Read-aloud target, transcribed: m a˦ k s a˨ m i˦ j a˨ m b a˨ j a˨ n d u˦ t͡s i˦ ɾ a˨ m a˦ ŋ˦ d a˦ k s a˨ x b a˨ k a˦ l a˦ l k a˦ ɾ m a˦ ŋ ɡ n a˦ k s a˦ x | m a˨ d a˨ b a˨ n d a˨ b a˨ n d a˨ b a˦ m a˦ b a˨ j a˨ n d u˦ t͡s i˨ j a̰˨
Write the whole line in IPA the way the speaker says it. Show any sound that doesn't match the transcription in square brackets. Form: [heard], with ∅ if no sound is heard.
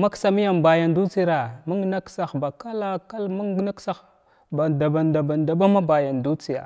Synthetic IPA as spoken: m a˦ k s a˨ m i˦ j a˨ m b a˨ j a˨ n d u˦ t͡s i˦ ɾ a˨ m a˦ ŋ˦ [n] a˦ k s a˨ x b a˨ k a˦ l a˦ [∅] k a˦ [l] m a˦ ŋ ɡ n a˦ k s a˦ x | [b] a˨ d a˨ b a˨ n d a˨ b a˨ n d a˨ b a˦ m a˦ b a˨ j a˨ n d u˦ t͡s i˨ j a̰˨